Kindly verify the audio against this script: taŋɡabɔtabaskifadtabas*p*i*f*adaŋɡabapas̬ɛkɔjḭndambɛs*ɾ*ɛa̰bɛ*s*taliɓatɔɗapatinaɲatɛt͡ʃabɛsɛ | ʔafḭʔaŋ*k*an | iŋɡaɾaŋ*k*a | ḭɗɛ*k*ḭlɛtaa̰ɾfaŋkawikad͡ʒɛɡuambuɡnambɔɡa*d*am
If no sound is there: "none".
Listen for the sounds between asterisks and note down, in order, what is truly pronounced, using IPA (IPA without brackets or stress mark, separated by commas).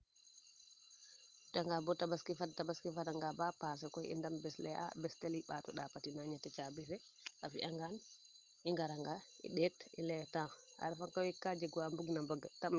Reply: k, f, l, s, ɡ, ɡ, t, t